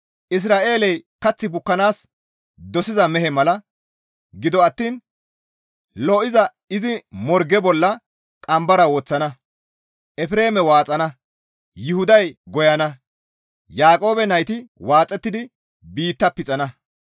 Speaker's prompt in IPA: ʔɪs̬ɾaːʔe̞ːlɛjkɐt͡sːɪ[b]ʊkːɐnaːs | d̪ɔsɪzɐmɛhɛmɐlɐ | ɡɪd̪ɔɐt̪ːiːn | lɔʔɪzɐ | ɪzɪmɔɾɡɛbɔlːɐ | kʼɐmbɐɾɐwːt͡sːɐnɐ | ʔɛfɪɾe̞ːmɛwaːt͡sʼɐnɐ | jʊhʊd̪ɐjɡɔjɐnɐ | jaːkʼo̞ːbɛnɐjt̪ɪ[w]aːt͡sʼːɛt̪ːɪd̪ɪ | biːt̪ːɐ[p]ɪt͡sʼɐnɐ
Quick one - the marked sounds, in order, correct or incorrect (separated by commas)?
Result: correct, correct, correct